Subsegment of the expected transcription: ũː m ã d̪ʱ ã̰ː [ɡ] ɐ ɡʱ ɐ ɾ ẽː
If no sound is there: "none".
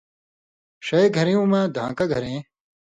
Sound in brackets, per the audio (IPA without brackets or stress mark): k